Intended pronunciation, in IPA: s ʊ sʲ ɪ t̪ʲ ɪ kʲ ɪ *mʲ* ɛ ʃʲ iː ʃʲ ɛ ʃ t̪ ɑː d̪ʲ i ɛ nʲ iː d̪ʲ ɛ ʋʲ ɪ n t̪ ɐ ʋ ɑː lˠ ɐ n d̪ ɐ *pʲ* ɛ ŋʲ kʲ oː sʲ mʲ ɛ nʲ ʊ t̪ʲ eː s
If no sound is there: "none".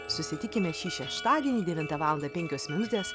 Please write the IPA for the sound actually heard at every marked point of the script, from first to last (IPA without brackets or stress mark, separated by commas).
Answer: mʲ, pʲ